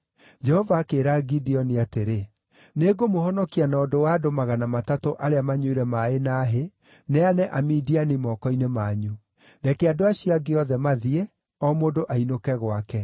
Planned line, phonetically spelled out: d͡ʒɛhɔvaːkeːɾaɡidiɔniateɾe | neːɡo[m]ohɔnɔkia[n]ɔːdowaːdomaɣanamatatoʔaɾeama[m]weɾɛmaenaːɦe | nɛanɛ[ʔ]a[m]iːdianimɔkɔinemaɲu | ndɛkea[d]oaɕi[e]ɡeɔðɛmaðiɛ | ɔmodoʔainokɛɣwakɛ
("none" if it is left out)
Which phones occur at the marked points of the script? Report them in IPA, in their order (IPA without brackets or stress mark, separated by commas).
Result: m, n, ɲ, ʔ, m, d, a